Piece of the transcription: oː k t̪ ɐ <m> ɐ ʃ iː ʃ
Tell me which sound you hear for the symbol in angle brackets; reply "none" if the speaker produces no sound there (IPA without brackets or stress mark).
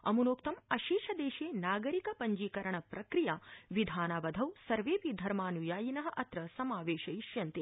m